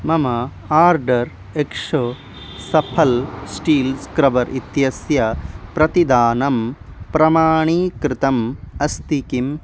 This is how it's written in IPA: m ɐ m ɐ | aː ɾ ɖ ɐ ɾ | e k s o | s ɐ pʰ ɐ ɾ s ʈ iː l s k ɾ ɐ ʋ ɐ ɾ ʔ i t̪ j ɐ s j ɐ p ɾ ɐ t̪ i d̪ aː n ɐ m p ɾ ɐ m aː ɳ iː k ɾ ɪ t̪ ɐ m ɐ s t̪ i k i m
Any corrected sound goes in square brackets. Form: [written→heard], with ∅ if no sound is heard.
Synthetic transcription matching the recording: m ɐ m ɐ | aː ɾ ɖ ɐ ɾ | e k [s→ʂ] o | s ɐ pʰ ɐ [ɾ→l] s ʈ iː l s k ɾ ɐ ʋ ɐ ɾ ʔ i t̪ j ɐ s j ɐ p ɾ ɐ t̪ i d̪ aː n ɐ m p ɾ ɐ m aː ɳ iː k ɾ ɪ t̪ ɐ m ɐ s t̪ i k i m